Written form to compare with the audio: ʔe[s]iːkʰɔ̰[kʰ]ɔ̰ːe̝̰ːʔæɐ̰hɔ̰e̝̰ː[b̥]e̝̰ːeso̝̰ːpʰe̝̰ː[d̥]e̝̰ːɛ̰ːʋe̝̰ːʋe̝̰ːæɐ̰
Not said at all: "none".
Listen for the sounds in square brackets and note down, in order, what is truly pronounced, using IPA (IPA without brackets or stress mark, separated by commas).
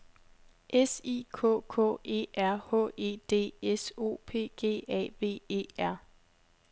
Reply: s, kʰ, d̥, ɡ̥